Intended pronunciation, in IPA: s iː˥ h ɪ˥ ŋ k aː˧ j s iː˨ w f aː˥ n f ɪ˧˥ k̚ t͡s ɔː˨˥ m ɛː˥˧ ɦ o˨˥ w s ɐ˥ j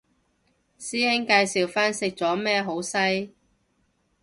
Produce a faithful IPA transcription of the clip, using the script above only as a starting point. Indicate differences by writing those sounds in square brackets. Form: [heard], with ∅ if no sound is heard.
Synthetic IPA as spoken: s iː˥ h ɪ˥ ŋ k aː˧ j s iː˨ w f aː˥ n [s] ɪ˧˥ k̚ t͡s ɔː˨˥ m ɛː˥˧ ɦ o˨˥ w s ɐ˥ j